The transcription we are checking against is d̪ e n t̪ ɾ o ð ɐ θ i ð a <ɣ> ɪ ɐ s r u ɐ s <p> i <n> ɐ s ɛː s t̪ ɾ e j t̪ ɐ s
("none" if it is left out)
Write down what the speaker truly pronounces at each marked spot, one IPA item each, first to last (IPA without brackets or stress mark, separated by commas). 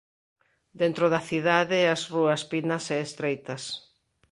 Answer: ð, p, n